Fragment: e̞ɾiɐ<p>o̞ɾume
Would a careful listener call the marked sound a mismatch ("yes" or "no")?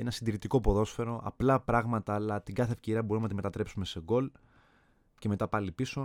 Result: yes